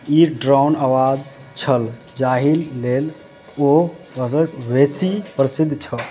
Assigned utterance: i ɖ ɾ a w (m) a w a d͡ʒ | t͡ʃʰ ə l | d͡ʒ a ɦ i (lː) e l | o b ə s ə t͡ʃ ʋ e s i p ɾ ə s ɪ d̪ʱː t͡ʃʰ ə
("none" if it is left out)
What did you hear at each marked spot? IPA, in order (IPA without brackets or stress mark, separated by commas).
n, lː